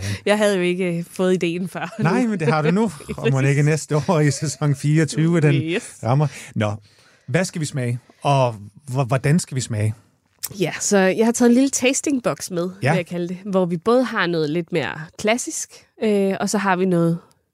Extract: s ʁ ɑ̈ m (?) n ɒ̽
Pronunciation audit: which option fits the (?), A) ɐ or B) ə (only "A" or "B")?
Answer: A